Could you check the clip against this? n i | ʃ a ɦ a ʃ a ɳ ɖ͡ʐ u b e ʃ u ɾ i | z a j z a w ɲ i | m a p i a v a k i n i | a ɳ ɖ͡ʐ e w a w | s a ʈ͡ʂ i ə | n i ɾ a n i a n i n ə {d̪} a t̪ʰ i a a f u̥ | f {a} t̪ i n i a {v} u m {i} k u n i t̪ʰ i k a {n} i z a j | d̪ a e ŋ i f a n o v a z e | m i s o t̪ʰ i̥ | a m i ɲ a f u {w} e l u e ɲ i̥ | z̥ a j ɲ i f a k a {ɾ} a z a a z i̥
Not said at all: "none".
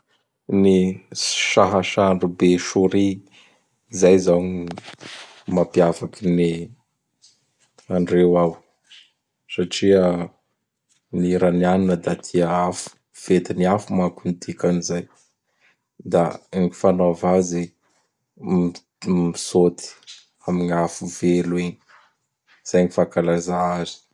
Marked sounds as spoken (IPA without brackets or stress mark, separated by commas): d̪, e, f, a, n, v, l